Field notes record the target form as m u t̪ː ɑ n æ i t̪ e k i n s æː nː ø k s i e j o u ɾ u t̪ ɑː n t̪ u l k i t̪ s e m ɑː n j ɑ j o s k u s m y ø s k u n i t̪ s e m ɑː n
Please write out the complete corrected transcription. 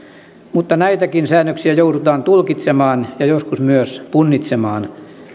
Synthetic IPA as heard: m u t̪ː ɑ n æ i t̪ æ k i n s æː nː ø k s i æ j o u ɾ u t̪ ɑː n t̪ u l k i t̪ s e m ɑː n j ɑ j o s k u s m y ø s p u nː i t̪ s e m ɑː n